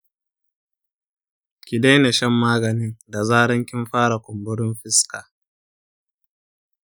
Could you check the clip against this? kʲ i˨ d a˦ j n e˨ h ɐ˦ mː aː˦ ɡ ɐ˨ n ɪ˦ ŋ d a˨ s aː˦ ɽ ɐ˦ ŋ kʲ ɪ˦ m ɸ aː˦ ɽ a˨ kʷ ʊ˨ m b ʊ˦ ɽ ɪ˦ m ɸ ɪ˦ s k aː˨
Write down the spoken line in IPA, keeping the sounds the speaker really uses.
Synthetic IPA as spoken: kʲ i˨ d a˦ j n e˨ ʃ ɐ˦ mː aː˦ ɡ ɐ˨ n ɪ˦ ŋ d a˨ z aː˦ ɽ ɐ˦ ŋ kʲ ɪ˦ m ɸ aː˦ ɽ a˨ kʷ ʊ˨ m b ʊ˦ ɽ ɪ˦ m ɸ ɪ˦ s k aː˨